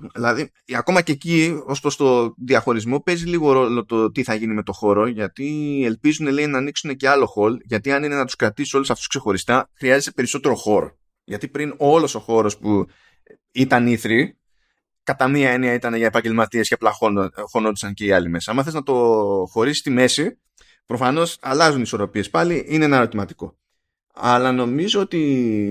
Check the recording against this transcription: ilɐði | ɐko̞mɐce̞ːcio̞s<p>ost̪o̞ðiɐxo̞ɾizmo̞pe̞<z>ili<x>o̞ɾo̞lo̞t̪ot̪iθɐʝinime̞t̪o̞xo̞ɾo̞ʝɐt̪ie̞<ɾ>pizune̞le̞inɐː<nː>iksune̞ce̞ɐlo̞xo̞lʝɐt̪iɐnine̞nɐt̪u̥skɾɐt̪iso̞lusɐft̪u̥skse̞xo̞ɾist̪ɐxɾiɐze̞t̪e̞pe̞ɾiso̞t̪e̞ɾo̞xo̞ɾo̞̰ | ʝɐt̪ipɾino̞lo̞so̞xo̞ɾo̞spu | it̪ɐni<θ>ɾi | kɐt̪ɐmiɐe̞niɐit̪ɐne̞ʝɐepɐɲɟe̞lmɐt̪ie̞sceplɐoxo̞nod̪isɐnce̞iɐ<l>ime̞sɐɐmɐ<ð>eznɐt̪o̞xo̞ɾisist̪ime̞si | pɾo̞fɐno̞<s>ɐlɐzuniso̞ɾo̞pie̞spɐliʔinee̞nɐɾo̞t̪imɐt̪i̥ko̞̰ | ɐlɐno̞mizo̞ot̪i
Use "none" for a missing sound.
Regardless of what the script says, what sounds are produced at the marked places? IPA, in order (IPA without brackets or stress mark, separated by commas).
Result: p, z, ɣ, l, n, θ, l, θ, s